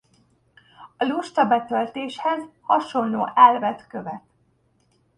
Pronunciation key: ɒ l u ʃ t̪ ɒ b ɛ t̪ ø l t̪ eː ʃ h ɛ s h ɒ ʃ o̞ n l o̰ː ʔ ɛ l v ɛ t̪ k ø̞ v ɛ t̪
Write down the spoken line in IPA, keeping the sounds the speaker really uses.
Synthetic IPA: ɒ l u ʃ t̪ ɒ b ɛ t̪ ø l t̪ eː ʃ h ɛ z h ɒ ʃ o̞ n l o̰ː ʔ ɛ l v ɛ t̪ k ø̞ v ɛ t̪